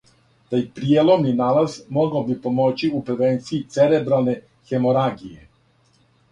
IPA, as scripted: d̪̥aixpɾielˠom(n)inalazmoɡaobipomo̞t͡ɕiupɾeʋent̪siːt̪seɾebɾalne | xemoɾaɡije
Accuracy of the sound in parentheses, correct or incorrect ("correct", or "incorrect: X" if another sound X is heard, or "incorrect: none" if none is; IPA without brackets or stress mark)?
correct